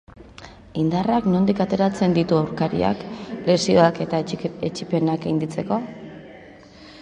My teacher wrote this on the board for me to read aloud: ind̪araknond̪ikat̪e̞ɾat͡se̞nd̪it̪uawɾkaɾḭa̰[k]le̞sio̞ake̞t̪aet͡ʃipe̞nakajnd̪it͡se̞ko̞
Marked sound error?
no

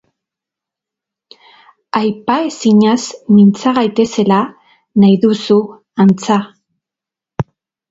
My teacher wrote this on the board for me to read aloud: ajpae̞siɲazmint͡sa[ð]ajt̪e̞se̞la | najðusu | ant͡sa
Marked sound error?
yes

